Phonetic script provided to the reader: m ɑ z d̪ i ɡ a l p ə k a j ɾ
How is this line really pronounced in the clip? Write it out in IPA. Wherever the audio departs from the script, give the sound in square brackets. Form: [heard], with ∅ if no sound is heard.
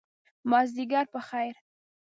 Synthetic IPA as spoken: m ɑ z d̪ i ɡ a [ɾ] p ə [x] a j ɾ